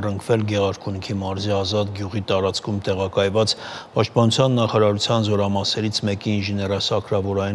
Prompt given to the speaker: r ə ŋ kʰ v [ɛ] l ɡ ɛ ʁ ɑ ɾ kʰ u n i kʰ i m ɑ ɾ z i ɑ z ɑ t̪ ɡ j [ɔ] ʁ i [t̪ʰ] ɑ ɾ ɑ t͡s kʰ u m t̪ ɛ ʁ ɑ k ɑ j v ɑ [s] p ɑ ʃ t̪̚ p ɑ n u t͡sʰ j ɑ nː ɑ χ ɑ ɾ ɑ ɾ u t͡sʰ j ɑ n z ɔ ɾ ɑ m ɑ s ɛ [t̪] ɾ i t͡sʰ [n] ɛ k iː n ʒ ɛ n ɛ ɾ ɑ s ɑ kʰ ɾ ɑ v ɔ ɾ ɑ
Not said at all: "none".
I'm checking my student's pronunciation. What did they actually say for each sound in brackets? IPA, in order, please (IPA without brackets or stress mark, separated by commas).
ɛ, u, t̪, t͡s, none, m